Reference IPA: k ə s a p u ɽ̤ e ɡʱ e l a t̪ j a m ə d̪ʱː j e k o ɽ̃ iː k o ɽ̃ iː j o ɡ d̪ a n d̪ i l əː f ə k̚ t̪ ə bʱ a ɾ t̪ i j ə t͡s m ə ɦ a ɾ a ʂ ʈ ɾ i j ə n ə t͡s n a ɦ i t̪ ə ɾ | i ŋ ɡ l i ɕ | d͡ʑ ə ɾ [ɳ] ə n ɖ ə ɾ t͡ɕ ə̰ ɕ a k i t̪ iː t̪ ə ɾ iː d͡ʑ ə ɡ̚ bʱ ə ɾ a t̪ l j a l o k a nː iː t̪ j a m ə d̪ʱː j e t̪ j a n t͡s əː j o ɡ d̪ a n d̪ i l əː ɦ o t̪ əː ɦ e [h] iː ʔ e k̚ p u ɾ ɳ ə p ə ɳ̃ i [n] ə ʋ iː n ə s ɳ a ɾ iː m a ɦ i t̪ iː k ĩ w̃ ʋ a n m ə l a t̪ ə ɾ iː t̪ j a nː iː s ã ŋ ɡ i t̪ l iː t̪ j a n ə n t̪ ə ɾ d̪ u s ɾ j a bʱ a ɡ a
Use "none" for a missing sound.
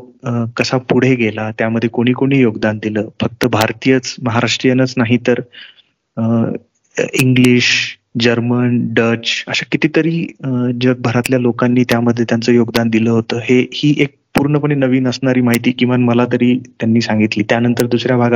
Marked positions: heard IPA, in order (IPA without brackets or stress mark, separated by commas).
m, h, n